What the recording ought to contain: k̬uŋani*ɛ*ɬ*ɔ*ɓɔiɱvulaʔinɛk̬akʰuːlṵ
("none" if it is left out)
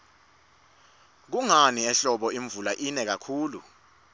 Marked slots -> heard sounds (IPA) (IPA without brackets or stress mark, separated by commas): ɛ, ɔ